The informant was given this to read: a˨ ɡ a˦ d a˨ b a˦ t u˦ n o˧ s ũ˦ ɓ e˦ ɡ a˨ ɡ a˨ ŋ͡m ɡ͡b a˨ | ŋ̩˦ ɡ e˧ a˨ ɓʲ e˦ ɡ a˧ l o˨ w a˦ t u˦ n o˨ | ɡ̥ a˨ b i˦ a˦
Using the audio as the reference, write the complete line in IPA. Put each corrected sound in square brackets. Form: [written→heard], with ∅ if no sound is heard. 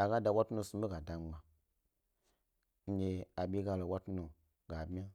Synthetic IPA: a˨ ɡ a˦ d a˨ [b→w] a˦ t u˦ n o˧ s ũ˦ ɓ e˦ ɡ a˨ [ɡ→d] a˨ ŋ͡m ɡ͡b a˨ | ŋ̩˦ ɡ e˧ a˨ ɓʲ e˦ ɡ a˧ l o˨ w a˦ t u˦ n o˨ | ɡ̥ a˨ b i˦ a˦